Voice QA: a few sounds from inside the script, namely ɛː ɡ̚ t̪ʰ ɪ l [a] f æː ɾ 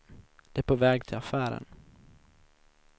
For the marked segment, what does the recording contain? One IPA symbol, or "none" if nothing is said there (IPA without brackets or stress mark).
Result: a